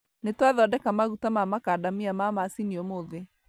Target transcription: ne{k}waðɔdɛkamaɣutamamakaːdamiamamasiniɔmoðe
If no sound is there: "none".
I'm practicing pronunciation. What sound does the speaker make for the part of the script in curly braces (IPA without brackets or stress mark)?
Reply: t